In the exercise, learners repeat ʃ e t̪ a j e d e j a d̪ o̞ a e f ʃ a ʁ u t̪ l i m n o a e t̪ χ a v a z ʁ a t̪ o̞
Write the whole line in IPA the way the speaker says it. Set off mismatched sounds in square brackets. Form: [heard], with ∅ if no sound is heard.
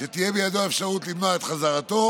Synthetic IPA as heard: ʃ e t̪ [i] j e [b] e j a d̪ o̞ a e f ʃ a ʁ u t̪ l i m n o a e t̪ χ a [z] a [∅] ʁ a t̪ o̞